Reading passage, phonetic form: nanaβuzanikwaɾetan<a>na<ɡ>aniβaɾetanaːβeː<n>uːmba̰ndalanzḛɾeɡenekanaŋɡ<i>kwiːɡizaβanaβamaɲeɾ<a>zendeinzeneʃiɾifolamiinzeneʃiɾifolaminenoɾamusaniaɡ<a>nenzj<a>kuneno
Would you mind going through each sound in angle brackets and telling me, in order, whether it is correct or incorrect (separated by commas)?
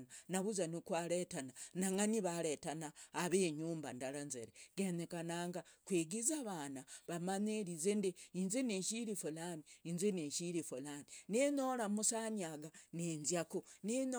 correct, incorrect, incorrect, incorrect, incorrect, correct, correct